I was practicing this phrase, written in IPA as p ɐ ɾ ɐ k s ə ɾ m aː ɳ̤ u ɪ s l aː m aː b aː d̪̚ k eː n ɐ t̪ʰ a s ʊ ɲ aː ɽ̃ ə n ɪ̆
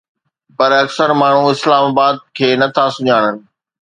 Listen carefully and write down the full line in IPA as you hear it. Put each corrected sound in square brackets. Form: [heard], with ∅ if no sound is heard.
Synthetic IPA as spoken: p ɐ ɾ ɐ k s ə ɾ m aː ɳ̤ u ɪ s l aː m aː b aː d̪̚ [kʰ] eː n ɐ t̪ʰ a s ʊ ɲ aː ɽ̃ ə n ɪ̆